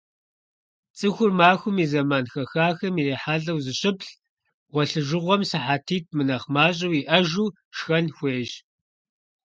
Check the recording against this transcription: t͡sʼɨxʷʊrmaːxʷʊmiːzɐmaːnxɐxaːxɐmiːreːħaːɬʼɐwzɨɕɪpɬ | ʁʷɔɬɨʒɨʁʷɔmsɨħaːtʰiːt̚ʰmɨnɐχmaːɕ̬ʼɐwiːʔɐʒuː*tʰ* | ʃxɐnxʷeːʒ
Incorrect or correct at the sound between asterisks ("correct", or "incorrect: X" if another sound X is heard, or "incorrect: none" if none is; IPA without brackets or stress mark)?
incorrect: none